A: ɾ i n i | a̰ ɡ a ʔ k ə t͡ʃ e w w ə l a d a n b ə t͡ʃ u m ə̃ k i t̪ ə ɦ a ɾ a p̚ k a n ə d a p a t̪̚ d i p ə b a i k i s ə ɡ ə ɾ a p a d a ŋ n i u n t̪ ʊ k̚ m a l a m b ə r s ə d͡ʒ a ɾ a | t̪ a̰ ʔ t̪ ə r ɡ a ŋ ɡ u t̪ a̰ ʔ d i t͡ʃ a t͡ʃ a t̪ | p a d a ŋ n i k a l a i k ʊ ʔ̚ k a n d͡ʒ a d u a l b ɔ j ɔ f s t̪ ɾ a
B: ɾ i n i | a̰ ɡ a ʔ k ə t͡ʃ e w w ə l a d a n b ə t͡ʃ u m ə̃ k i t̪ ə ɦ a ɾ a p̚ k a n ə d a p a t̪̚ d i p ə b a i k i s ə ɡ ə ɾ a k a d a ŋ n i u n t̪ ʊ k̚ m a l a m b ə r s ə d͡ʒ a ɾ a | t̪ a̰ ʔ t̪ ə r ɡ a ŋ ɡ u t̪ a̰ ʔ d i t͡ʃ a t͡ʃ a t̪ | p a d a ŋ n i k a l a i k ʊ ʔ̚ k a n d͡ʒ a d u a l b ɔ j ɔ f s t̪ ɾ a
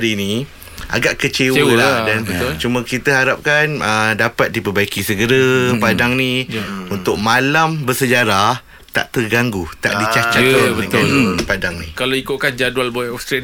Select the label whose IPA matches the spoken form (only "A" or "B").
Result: A